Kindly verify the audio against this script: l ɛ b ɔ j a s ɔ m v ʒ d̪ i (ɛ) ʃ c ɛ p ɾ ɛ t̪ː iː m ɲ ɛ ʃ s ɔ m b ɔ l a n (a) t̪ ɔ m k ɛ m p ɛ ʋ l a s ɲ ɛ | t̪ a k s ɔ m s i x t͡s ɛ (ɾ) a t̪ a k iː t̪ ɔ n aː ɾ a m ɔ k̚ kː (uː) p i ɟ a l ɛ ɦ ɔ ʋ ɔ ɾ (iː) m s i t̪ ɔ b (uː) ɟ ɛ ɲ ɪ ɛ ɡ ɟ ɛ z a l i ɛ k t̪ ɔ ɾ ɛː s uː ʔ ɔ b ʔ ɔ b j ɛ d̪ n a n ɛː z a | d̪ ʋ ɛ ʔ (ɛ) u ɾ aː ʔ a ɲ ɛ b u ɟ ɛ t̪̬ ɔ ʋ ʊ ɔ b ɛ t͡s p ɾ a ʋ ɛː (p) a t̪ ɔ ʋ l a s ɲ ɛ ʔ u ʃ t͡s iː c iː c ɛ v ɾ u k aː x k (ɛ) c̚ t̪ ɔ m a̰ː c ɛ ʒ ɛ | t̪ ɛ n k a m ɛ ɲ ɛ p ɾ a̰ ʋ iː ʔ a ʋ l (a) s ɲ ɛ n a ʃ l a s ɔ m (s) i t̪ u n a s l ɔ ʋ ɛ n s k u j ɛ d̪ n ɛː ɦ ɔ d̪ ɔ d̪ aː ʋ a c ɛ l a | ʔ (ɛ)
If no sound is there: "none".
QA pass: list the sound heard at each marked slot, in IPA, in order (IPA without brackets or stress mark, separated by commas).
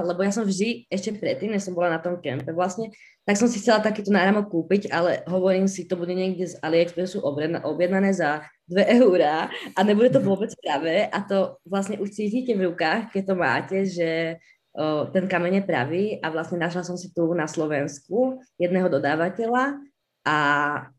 ɛ, a, l, uː, iː, u, ɛ, ʔ, ɛ, a, s, a